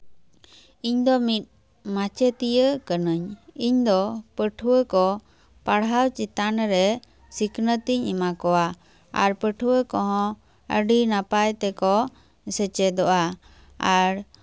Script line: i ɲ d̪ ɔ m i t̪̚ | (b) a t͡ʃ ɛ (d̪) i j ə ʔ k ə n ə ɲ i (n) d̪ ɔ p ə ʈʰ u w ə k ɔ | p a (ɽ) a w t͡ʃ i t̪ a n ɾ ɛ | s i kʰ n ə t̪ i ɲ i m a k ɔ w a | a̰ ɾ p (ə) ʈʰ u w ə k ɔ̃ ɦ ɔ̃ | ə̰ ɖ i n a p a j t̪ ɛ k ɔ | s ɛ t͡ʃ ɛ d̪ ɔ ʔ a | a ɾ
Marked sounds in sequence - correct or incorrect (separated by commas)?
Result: incorrect, incorrect, incorrect, correct, correct